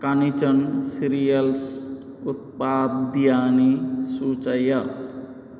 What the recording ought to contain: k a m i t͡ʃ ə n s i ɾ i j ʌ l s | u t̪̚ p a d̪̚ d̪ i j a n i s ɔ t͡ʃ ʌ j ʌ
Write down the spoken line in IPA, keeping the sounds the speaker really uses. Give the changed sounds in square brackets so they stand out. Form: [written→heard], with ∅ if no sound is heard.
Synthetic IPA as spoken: k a [m→n] i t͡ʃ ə n s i ɾ i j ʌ l s | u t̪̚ p a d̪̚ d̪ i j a n i s [ɔ→u] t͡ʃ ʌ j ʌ